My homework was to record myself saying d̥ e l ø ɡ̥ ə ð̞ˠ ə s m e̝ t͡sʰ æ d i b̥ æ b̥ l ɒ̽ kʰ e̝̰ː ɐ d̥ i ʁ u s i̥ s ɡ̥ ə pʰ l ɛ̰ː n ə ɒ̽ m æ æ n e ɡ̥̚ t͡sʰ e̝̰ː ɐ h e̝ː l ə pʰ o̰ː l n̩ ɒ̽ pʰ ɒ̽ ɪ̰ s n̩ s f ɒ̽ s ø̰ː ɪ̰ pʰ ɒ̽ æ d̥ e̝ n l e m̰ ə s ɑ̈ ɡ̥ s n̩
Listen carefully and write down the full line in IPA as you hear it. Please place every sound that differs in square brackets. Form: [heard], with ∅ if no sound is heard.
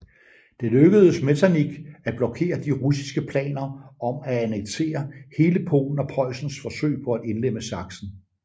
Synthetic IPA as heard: d̥ e l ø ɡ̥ ə ð̞ˠ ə s m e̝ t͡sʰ æ [n] i [ɡ̥] æ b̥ l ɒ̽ kʰ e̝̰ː ɐ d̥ i ʁ u s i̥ s ɡ̥ ə pʰ l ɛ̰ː n [ɐ] ɒ̽ m æ æ n e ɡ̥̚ t͡sʰ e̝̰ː ɐ h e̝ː l ə pʰ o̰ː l n̩ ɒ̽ pʰ ɒ̽ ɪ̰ s n̩ s f ɒ̽ s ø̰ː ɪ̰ pʰ ɒ̽ æ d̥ e̝ n l e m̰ ə s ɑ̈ ɡ̥ s n̩